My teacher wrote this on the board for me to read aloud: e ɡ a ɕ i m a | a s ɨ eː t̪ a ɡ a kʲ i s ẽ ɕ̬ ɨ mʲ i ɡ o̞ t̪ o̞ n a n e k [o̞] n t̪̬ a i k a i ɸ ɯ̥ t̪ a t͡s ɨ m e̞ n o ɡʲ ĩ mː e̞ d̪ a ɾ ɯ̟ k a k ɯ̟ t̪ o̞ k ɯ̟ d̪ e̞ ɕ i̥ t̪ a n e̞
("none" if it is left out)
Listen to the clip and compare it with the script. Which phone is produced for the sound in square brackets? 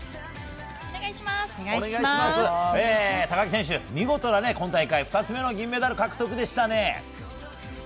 õ̞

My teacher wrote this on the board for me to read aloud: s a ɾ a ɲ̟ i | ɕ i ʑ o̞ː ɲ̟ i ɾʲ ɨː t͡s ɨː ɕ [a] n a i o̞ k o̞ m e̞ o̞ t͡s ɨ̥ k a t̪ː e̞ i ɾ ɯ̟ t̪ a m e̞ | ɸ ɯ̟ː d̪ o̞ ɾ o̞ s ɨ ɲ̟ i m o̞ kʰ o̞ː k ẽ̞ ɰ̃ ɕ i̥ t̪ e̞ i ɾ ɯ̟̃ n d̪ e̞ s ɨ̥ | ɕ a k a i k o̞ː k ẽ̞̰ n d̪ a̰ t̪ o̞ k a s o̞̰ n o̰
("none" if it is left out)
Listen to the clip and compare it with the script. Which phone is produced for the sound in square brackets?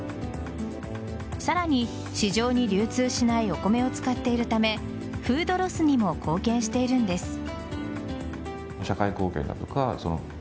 i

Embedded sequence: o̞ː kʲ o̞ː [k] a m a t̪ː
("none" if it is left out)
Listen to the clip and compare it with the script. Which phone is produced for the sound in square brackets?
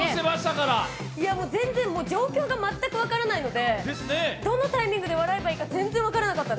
ɡ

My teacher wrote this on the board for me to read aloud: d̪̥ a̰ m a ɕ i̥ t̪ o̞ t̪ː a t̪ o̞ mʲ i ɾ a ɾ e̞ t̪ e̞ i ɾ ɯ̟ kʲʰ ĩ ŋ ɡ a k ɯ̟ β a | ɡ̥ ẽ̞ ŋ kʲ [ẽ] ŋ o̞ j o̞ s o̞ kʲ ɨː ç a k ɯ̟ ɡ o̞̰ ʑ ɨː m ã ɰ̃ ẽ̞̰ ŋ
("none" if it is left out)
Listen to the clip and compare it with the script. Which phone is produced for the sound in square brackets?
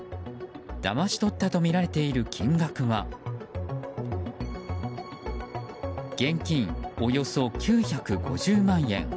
ĩ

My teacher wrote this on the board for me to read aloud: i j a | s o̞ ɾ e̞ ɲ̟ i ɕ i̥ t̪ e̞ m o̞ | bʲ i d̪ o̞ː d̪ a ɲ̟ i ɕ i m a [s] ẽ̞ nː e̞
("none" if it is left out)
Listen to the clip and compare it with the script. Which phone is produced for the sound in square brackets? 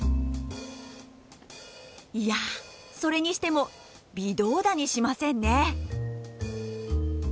s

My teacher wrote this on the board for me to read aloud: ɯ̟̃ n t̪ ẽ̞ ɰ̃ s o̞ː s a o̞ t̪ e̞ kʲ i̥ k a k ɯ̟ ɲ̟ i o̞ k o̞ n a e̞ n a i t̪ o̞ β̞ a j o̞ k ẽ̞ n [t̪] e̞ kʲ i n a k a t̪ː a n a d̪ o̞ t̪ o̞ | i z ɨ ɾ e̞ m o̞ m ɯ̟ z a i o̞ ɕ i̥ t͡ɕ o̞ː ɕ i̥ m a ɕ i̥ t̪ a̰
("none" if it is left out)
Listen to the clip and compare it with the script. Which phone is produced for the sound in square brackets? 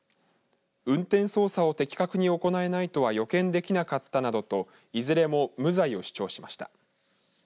d̪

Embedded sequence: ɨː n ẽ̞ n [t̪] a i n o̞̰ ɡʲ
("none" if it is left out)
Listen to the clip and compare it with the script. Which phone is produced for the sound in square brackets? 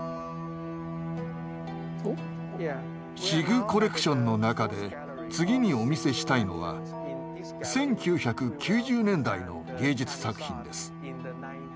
d̪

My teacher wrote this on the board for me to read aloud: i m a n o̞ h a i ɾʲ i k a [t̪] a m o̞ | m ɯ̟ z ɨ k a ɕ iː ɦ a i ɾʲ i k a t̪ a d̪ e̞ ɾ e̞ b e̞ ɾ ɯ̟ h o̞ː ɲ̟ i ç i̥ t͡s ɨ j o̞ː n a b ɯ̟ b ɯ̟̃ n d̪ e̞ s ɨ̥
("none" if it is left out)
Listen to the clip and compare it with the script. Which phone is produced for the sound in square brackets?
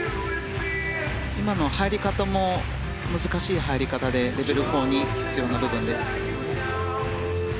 t̪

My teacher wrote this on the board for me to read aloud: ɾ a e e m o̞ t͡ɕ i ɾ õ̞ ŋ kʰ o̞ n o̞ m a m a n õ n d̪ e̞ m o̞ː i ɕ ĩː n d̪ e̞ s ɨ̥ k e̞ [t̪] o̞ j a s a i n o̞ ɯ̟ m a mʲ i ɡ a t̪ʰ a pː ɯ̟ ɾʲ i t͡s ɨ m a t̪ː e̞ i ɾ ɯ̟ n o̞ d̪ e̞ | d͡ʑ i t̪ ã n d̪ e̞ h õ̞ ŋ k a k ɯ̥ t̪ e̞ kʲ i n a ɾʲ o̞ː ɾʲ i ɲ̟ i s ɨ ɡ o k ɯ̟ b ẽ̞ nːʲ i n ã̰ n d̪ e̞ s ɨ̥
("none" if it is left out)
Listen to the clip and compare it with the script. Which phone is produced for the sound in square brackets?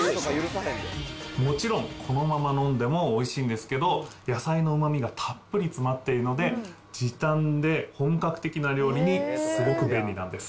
d̪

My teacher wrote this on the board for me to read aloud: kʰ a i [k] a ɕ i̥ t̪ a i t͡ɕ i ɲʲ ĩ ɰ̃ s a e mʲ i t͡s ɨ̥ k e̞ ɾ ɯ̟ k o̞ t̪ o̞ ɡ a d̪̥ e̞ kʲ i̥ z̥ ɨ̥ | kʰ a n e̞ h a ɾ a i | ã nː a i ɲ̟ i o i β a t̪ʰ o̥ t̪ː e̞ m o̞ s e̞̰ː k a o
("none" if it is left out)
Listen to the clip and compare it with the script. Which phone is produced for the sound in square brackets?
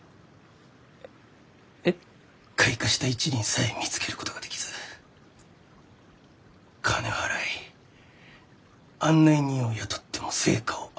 k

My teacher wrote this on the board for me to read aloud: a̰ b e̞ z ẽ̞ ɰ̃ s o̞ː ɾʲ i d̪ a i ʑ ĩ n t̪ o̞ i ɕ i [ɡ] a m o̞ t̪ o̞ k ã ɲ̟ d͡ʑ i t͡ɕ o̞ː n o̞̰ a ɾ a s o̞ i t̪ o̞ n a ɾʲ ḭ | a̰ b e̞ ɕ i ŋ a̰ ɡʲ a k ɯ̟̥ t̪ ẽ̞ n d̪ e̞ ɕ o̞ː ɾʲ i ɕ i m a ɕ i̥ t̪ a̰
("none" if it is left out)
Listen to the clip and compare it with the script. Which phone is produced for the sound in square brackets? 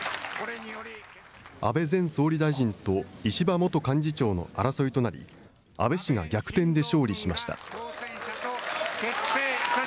b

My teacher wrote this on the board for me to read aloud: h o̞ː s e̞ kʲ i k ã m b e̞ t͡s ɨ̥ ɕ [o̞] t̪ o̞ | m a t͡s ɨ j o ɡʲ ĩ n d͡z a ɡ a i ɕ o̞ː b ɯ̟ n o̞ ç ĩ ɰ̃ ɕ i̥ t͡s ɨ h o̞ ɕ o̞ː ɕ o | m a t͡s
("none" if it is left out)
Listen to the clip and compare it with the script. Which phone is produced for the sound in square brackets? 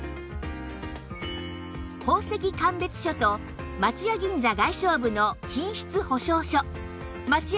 o̞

